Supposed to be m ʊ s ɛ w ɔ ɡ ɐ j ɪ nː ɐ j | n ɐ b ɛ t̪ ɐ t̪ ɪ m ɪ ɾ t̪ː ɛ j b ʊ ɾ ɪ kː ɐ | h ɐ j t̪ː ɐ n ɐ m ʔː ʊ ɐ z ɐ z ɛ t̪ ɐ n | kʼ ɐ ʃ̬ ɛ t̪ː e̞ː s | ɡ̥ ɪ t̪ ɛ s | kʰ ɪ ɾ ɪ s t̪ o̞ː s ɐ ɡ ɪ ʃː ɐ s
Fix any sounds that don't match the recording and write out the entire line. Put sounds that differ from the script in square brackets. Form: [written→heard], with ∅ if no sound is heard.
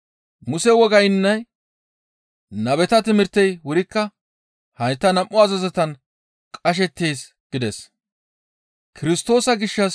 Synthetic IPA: m ʊ s ɛ w ɔ ɡ ɐ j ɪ nː ɐ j | n ɐ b ɛ t̪ ɐ t̪ ɪ m ɪ ɾ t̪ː ɛ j [b→w] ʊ ɾ ɪ kː ɐ | h ɐ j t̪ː ɐ n ɐ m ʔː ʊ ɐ z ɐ z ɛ t̪ ɐ n | kʼ ɐ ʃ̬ ɛ t̪ː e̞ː s | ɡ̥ ɪ [t̪→d̪] ɛ s | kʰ ɪ ɾ ɪ s t̪ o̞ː s ɐ ɡ ɪ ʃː ɐ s